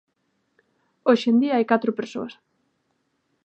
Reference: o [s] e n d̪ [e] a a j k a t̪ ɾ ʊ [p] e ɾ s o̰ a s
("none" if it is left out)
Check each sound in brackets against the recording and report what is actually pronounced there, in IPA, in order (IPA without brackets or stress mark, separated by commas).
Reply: ʃ, i, p